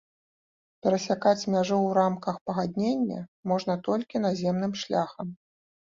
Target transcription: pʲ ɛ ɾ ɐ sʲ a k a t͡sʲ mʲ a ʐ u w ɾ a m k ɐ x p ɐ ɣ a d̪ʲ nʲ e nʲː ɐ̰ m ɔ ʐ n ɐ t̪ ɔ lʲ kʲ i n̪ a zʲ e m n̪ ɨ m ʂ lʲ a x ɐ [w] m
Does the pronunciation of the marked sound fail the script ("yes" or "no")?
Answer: yes